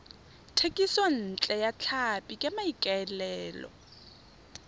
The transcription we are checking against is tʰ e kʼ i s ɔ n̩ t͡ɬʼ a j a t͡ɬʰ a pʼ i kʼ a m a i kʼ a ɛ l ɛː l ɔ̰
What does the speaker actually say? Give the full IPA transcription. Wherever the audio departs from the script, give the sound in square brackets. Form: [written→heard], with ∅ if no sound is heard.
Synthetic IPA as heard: tʰ e kʼ i s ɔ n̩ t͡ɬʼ [a→ɛ] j a t͡ɬʰ a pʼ i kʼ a m a i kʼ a ɛ l ɛː l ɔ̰